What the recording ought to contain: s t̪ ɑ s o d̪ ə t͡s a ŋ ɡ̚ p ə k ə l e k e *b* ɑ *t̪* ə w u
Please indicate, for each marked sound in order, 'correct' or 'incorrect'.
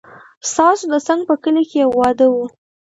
incorrect, incorrect

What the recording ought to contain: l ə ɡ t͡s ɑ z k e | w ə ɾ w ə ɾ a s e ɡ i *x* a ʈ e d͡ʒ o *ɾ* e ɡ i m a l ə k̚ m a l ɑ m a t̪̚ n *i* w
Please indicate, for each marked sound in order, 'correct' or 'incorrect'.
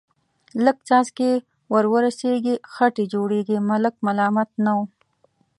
correct, incorrect, incorrect

